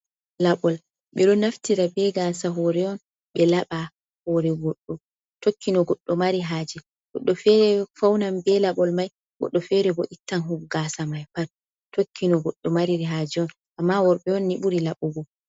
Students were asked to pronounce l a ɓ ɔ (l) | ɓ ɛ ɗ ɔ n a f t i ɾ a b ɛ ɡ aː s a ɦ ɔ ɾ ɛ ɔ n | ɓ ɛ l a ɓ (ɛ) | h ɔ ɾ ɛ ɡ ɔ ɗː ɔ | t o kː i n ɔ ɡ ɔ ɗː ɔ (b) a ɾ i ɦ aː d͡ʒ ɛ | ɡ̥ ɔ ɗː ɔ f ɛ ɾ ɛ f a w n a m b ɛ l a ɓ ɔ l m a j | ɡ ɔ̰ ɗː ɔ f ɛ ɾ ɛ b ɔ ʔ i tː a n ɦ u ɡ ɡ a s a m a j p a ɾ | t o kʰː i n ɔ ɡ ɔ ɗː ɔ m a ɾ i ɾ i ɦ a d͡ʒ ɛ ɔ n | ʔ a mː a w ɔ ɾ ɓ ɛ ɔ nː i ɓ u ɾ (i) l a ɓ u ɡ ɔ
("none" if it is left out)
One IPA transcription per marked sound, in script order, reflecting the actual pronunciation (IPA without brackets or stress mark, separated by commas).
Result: l, a, m, i